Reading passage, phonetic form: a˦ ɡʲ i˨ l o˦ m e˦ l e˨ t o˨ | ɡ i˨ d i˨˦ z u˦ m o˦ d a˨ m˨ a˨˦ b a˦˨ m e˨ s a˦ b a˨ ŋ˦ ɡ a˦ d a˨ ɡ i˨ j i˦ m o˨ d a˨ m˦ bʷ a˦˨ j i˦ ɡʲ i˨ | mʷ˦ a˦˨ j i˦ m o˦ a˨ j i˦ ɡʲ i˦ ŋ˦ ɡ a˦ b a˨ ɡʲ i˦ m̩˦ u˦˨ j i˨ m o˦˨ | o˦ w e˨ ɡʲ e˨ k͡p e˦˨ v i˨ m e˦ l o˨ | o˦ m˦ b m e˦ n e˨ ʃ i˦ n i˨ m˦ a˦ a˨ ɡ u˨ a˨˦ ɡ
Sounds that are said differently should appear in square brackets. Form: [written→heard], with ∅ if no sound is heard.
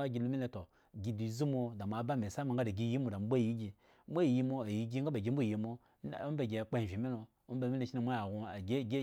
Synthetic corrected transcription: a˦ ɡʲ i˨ l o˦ m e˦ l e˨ t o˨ | ɡ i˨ d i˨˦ z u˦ m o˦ d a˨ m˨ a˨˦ b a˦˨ m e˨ s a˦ [b→m] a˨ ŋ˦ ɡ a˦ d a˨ ɡ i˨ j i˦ m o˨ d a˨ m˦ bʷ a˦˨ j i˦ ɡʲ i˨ | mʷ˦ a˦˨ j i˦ m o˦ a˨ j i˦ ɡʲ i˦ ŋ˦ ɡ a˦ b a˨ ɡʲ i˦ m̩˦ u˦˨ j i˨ m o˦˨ | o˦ [w→b] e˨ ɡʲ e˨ k͡p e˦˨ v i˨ m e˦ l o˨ | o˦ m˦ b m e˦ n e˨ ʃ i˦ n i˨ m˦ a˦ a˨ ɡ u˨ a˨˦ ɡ